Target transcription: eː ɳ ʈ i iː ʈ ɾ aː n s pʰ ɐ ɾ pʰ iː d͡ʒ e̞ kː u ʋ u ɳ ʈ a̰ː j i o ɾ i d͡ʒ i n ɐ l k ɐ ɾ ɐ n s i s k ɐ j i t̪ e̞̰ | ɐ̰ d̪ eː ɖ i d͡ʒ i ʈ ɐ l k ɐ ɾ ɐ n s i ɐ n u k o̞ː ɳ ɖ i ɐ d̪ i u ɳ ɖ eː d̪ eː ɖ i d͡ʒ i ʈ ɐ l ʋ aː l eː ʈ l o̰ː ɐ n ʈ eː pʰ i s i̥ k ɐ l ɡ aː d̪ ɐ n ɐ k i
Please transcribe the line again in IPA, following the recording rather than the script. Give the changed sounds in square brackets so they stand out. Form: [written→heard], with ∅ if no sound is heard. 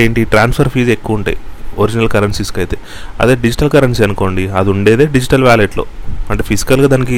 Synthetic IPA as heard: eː ɳ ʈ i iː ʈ ɾ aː n s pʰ ɐ ɾ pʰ iː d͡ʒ e̞ kː u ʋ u ɳ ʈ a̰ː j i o ɾ i d͡ʒ i n ɐ l k ɐ ɾ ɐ n s i s k ɐ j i t̪ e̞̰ | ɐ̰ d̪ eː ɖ i d͡ʒ i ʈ ɐ l k ɐ ɾ ɐ n s i ɐ n u k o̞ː ɳ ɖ i ɐ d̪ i u ɳ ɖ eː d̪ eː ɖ i d͡ʒ i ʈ ɐ l ʋ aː l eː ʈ l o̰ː ɐ [n→ɳ] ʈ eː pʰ i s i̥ k ɐ l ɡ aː d̪ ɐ n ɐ k i